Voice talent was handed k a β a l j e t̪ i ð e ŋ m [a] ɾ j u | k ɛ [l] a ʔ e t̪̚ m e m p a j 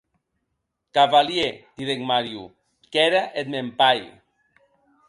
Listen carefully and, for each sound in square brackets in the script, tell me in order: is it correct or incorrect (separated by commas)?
correct, incorrect